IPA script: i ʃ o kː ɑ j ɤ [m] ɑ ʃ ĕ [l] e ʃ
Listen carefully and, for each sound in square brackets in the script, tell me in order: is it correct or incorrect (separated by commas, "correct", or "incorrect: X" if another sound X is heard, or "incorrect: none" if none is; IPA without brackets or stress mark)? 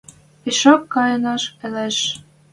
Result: incorrect: n, correct